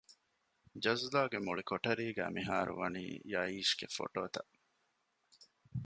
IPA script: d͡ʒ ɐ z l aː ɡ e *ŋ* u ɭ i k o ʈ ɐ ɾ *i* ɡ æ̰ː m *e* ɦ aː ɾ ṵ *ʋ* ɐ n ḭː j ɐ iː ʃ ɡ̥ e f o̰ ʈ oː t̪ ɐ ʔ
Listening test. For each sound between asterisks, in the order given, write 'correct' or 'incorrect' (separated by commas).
incorrect, incorrect, incorrect, correct